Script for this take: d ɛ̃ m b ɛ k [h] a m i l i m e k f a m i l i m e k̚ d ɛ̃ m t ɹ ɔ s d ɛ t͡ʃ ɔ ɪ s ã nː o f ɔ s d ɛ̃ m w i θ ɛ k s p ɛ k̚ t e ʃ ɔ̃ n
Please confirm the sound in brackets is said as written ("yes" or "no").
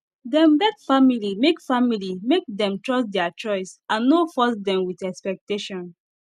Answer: no